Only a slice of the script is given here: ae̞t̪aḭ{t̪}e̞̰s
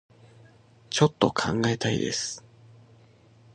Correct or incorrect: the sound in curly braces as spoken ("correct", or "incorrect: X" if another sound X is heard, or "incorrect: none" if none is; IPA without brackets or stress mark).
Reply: incorrect: d̪